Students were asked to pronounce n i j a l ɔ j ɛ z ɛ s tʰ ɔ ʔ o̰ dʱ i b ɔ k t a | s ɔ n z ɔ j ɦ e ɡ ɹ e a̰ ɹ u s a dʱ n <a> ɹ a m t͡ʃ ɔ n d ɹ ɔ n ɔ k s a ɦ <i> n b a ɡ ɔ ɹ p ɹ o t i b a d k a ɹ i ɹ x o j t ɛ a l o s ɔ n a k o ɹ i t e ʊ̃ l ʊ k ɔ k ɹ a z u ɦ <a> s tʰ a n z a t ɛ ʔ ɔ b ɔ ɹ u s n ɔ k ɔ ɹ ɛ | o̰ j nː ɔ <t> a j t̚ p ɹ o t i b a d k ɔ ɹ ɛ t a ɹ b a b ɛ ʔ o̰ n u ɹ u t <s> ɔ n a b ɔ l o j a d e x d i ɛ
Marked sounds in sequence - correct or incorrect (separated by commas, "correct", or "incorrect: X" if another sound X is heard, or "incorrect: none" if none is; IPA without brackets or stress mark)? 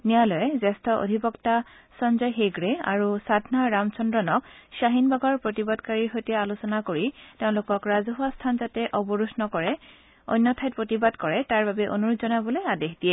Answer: correct, correct, correct, incorrect: tʰ, incorrect: z